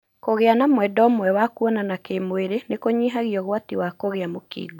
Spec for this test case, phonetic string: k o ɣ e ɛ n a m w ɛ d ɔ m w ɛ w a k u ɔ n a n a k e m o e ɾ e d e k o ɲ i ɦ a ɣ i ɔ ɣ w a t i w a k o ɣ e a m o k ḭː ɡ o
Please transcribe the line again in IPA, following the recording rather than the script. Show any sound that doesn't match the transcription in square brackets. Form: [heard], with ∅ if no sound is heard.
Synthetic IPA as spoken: k o ɣ e [a] n a m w ɛ d ɔ m w ɛ w a k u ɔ n a n a k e m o e ɾ e [n] e k o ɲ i ɦ a ɣ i ɔ ɣ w a t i w a k o ɣ e a m o k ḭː ɡ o